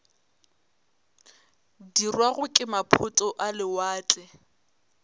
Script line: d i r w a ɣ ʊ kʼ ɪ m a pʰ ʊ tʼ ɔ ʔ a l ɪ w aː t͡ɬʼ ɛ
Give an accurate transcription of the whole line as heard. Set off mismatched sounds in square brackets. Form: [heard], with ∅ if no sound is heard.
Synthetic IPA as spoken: d i r w a ɣ ʊ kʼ ɪ m a pʰ ʊ tʼ ɔ ʔ a l ɪ w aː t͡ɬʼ ɛ